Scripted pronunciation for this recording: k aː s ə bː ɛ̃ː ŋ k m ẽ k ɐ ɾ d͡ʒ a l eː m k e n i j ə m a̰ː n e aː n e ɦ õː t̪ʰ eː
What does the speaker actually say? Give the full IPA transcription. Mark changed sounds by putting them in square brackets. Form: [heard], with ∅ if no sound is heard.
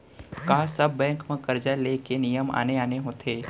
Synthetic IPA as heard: k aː s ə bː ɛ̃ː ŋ k m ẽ k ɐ ɾ d͡ʒ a l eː [∅] k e n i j ə m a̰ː n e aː n e ɦ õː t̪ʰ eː

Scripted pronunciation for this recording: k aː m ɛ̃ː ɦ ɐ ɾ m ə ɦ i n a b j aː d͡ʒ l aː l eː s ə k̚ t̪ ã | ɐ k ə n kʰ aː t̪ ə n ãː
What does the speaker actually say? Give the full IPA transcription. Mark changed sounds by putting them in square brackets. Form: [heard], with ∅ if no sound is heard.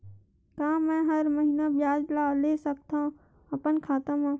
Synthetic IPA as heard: k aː m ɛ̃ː ɦ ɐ ɾ m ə ɦ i n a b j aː d͡ʒ l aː l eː s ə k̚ t̪ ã | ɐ [p] ə n kʰ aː t̪ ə [m] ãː

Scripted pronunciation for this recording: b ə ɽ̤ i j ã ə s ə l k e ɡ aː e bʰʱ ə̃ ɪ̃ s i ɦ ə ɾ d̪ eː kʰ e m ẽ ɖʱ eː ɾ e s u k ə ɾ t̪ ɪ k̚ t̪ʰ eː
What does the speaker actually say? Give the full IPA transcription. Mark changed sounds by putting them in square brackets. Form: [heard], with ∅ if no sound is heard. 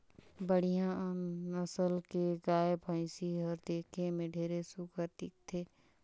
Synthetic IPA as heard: b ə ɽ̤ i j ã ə s ə l k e ɡ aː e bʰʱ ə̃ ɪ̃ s i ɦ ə ɾ d̪ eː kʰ e m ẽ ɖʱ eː ɾ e s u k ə ɾ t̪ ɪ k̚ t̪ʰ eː

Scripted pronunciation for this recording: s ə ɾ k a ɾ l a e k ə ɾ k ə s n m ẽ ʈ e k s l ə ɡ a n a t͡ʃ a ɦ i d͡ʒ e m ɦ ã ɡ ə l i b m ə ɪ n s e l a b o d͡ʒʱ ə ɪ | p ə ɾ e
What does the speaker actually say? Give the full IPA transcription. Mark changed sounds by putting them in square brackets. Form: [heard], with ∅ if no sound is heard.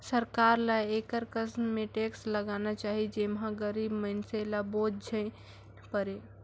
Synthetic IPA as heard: s ə ɾ k a ɾ l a e k ə ɾ k ə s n m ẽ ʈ e k s l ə ɡ a n a t͡ʃ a ɦ i d͡ʒ e m ɦ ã ɡ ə [ɾ] i b m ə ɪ n s e l a b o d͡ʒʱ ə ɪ | p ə ɾ e

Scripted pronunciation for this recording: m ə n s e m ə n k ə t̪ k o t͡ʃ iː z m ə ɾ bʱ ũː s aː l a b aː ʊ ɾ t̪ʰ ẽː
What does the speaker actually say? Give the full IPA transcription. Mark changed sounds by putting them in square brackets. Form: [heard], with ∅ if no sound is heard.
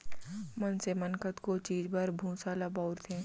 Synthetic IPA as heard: m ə n s e m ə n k ə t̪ k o t͡ʃ iː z [b] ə ɾ bʱ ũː s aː l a b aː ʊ ɾ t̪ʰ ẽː

